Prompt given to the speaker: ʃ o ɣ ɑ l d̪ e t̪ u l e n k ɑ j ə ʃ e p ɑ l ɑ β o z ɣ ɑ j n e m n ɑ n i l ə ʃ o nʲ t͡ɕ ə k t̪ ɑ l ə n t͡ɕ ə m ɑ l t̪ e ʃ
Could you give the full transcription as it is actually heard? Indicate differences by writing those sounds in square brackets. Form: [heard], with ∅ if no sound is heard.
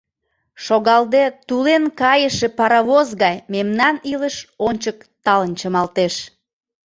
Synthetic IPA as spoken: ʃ o ɣ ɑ l d̪ e t̪ u l e n k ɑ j ə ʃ e p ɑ [ɾ] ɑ β o z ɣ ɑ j [m] e m n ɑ n i l ə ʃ o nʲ t͡ɕ ə k t̪ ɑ l ə n t͡ɕ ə m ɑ l t̪ e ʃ